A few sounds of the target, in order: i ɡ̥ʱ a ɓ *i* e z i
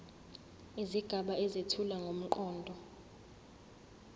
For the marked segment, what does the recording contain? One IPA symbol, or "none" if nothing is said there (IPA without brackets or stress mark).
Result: a